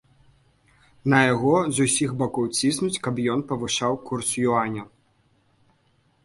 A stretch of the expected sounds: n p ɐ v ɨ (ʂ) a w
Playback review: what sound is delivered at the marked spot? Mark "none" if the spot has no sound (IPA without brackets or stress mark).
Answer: ʂ